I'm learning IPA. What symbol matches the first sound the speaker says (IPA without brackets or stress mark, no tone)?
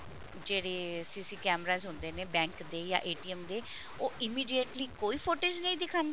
d͡ʒ